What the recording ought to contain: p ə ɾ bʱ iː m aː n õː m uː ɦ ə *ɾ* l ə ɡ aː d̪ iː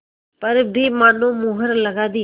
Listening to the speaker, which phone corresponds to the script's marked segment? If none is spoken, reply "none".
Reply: ɾ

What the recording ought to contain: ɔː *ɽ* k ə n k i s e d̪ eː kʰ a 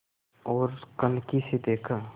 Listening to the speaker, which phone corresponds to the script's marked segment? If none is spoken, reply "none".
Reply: ɾ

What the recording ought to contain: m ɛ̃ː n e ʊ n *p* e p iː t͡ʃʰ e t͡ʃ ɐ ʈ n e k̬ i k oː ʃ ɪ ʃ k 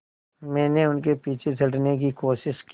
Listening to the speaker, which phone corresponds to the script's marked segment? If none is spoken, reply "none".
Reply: k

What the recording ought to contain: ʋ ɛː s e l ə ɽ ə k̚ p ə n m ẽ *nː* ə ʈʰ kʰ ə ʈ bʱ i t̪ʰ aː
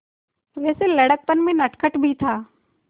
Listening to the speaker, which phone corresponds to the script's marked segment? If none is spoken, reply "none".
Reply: n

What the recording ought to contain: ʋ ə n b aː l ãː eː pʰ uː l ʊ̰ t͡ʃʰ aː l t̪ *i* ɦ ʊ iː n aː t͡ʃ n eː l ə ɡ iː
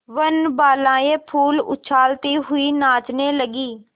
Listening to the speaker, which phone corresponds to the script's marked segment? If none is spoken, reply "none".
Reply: iː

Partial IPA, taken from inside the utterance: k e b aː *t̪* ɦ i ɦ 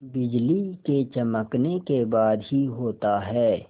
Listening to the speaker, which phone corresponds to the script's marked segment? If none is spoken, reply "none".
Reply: d̪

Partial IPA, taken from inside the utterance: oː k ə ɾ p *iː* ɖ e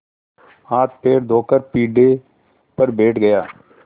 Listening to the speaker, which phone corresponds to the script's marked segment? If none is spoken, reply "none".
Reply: iː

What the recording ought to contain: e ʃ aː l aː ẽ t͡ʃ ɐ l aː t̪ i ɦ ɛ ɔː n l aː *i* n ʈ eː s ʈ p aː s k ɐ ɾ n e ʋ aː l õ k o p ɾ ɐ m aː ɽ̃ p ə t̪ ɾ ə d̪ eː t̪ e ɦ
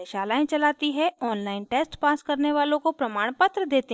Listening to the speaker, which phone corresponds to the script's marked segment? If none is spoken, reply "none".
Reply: ɪ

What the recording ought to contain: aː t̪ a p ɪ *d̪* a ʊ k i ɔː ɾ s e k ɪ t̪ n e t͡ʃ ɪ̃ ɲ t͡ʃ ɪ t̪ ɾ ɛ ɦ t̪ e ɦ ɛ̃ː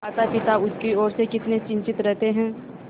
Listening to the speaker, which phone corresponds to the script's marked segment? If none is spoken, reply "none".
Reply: t̪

